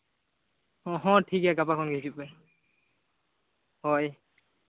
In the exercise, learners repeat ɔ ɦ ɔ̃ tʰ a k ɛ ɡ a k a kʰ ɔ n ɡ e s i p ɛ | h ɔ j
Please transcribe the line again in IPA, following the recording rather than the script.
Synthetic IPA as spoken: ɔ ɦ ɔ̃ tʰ i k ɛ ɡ a p a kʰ ɔ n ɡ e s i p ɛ | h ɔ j